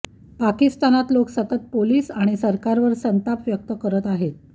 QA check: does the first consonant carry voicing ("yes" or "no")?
no